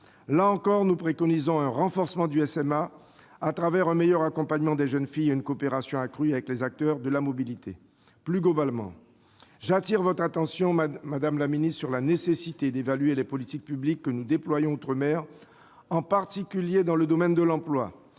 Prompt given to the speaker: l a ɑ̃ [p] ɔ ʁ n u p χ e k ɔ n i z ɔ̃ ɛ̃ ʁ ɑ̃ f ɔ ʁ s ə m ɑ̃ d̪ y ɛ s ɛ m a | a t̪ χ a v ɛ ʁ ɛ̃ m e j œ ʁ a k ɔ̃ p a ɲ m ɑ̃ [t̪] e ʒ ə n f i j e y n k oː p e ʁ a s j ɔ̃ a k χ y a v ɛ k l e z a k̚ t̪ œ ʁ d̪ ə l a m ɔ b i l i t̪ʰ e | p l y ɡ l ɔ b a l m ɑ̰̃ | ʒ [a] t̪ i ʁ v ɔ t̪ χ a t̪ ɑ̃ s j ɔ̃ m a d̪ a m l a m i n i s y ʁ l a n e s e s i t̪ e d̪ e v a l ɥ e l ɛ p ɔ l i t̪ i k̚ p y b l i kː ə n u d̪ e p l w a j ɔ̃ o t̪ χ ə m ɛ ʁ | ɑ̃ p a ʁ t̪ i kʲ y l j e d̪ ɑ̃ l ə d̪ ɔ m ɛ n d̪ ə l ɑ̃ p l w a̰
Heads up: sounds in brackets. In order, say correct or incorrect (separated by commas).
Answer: incorrect, incorrect, correct